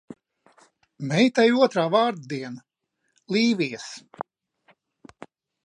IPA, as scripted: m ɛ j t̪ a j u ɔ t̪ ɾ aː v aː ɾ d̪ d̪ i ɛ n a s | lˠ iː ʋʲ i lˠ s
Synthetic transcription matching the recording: m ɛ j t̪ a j u ɔ t̪ ɾ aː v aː ɾ d̪ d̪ i ɛ n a | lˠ iː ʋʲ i s

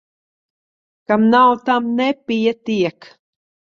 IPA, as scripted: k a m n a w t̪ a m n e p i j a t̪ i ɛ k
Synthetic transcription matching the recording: k a m n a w t̪ a m n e p i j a t̪ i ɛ k

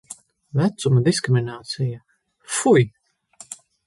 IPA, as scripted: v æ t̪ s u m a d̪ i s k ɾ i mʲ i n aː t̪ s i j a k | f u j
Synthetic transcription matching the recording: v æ t̪ s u m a d̪ i s k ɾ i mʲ i n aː t̪ s i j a | f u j

